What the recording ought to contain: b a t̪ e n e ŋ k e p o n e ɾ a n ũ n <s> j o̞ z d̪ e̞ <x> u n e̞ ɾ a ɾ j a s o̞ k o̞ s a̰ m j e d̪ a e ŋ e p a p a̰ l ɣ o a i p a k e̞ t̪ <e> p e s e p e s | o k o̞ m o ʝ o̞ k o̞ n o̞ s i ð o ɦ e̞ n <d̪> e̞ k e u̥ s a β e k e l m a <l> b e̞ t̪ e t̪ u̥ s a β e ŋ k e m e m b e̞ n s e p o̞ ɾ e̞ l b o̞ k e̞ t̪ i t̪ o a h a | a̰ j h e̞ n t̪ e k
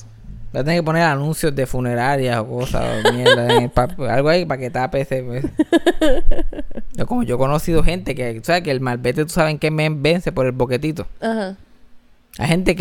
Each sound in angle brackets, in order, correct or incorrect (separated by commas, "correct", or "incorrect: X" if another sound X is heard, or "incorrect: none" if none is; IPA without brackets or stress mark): correct, incorrect: f, incorrect: a, incorrect: t̪, correct